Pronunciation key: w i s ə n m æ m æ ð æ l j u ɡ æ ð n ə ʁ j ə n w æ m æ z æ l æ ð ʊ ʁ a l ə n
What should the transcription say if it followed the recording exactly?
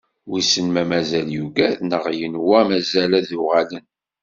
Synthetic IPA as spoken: w i s ə n m æ m æ z æ l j u ɡ æ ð n ə ʁ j ə n w æ m æ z æ l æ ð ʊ ʁ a l ə n